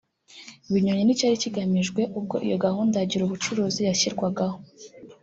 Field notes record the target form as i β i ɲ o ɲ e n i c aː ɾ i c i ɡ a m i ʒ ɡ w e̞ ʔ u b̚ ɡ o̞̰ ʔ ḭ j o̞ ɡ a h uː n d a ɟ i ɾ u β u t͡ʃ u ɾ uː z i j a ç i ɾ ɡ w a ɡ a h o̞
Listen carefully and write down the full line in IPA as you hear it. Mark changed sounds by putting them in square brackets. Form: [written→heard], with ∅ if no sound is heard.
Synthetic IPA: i β i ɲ o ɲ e n i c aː ɾ i c i ɡ a m i ʒ ɡ w e̞ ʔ u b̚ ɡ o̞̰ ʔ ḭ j o̞ ɡ a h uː n d a ɟ i ɾ u β u t͡ʃ u ɾ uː z i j a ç i ɾ ɡ w a ɡ a h o̞